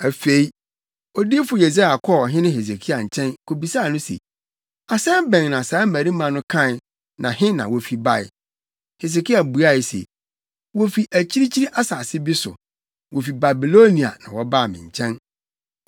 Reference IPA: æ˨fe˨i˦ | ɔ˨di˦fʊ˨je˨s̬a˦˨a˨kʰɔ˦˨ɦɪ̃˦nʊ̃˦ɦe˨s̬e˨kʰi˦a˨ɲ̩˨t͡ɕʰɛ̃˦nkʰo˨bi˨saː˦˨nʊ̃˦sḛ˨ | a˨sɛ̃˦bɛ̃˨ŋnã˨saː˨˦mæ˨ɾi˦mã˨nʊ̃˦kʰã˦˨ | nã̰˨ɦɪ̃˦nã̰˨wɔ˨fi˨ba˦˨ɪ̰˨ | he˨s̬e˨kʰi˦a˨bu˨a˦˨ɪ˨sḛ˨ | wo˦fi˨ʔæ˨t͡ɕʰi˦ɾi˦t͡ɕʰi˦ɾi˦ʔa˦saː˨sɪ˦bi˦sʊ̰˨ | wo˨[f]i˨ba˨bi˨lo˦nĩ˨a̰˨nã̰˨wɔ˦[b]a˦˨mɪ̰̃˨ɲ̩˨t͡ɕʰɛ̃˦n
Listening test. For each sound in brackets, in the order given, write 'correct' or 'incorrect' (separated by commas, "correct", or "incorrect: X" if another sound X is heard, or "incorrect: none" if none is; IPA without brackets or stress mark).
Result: correct, correct